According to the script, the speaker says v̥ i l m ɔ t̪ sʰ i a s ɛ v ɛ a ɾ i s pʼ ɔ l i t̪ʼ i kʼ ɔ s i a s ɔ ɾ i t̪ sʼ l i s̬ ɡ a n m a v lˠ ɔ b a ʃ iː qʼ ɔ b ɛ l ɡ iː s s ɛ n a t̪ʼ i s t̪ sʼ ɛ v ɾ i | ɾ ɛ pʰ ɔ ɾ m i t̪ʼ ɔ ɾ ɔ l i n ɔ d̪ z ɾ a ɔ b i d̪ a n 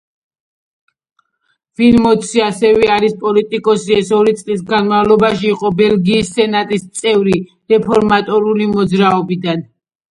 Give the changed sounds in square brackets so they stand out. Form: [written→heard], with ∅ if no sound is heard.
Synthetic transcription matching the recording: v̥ i l m ɔ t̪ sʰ i a s ɛ v ɛ a ɾ i s pʼ ɔ l i t̪ʼ i kʼ ɔ s i [a→ɛ] s ɔ ɾ i t̪ sʼ l i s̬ ɡ a n m a v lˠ ɔ b a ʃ iː qʼ ɔ b ɛ l ɡ iː s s ɛ n a t̪ʼ i s t̪ sʼ ɛ v ɾ i | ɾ ɛ pʰ ɔ ɾ m [i→a] t̪ʼ ɔ ɾ [ɔ→u] l i [n→m] ɔ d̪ z ɾ a ɔ b i d̪ a n